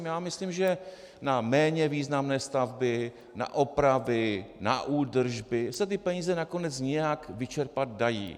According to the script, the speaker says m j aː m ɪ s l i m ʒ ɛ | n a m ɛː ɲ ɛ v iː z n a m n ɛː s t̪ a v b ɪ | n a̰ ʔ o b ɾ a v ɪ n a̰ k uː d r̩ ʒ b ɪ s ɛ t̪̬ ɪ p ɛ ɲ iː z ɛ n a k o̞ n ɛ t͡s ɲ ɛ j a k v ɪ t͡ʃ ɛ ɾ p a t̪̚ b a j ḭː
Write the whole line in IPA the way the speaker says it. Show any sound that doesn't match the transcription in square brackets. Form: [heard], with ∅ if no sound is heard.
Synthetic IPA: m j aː m ɪ s l i m ʒ ɛ | n a m ɛː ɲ ɛ v iː z n a m n ɛː s t̪ a v b ɪ | n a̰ ʔ o [p] ɾ a v ɪ n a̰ [ʔ] uː d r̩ ʒ b ɪ s ɛ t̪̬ ɪ p ɛ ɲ iː z ɛ n a k o̞ n ɛ t͡s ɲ ɛ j a k v ɪ t͡ʃ ɛ ɾ p a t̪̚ [d] a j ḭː